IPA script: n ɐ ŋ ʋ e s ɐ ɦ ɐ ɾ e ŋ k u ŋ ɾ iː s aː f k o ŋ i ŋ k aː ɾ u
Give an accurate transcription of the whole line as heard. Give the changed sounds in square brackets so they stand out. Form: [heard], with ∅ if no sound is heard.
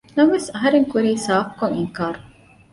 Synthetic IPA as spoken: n ɐ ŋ ʋ e s ɐ ɦ ɐ ɾ e ŋ k u [∅] ɾ iː s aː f k o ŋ i ŋ k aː ɾ u

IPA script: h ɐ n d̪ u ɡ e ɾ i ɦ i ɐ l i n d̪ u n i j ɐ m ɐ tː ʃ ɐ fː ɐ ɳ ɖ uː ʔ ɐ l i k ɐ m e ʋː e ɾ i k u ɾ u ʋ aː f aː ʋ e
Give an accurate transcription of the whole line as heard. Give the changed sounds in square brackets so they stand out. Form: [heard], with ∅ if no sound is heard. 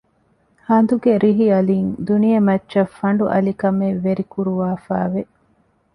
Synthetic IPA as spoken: h ɐ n d̪ u ɡ e ɾ i ɦ i ɐ l i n d̪ u n i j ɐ m ɐ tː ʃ ɐ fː ɐ ɳ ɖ [u] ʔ ɐ l i k ɐ m e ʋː e ɾ i k u ɾ u ʋ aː f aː ʋ e

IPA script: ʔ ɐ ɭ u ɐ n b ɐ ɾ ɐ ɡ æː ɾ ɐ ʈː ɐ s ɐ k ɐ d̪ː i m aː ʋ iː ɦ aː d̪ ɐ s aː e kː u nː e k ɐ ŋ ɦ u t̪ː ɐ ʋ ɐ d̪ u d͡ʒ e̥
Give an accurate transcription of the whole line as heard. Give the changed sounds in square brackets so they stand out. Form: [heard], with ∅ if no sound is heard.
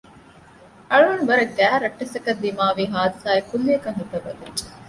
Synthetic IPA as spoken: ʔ ɐ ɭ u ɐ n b ɐ ɾ ɐ ɡ æː ɾ ɐ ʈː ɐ s ɐ k ɐ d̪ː i m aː ʋ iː ɦ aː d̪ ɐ s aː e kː u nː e k ɐ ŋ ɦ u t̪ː ɐ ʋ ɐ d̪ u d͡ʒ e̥

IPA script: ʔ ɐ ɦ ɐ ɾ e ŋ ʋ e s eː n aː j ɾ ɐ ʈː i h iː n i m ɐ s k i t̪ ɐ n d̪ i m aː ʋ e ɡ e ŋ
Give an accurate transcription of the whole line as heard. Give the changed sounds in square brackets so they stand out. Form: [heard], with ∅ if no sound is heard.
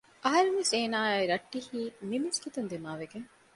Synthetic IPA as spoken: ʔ ɐ ɦ ɐ ɾ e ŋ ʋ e s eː n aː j ɾ ɐ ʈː i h iː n i m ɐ s k i t̪ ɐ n d̪ i m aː ʋ e ɡ e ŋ

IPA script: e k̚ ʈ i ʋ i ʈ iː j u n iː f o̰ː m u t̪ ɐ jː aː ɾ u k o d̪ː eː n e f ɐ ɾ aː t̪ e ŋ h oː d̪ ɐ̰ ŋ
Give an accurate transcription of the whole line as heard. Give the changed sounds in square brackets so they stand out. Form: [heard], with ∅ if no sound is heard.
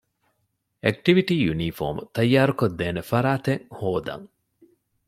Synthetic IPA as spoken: e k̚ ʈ i ʋ i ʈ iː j u n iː f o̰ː m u t̪ ɐ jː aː ɾ u k o d̪ː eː n e f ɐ ɾ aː t̪ e ŋ h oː d̪ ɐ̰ ŋ

